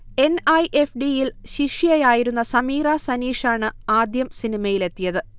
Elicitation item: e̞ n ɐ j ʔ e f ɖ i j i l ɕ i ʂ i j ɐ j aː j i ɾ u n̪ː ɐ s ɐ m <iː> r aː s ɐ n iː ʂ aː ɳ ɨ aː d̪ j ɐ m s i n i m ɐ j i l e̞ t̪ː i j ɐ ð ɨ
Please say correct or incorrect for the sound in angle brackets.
correct